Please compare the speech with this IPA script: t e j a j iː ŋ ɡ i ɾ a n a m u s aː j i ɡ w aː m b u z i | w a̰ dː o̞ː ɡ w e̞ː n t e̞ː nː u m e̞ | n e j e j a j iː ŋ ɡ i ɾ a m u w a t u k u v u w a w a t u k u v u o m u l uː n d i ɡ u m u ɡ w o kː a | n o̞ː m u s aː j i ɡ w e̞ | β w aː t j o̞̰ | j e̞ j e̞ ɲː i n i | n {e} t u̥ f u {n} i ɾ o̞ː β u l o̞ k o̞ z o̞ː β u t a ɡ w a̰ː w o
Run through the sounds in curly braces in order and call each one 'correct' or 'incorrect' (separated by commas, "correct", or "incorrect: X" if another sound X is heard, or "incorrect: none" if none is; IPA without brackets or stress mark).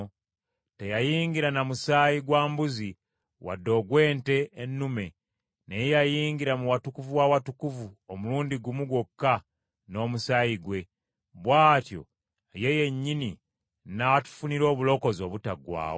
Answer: incorrect: a, correct